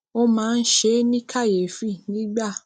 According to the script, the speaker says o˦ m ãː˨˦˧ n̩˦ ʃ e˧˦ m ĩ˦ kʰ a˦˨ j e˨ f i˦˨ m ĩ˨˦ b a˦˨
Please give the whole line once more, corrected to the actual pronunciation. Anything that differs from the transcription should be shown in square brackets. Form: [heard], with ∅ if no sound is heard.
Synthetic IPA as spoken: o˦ m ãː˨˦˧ n̩˦ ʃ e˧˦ [n] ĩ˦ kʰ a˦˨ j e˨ f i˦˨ [n] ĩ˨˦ [ɡ͡b] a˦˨

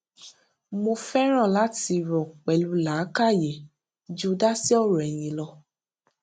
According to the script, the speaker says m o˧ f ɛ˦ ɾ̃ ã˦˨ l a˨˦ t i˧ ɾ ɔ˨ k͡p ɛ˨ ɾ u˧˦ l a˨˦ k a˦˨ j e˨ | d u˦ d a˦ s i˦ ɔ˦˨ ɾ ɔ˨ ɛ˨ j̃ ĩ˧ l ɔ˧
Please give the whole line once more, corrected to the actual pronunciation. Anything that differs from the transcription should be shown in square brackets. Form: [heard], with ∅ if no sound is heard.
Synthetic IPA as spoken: m o˧ f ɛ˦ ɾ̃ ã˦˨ l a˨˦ t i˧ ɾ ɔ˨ k͡p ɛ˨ [l] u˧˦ l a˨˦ k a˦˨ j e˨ | [d͡ʒ] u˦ d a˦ s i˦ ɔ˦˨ ɾ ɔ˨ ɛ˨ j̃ ĩ˧ l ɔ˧

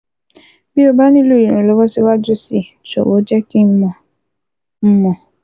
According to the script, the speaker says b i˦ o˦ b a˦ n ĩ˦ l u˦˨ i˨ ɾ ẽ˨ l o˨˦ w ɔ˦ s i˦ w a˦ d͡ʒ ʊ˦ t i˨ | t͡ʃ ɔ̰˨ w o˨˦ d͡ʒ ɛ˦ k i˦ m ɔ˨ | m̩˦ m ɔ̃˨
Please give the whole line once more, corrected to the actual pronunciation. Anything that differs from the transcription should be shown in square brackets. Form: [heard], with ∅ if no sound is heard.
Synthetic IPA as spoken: b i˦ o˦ b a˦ n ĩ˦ l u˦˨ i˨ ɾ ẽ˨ l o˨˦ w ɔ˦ s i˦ w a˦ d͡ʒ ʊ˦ [s] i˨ | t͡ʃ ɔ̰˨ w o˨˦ d͡ʒ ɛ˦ k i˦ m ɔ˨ | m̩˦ m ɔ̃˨

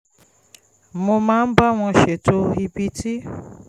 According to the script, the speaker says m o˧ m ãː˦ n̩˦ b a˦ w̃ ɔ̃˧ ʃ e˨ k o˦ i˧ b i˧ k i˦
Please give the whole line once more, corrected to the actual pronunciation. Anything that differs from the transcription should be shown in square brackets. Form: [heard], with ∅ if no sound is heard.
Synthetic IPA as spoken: m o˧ m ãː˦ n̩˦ b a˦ w̃ ɔ̃˧ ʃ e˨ [t] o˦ i˧ b i˧ [t] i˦

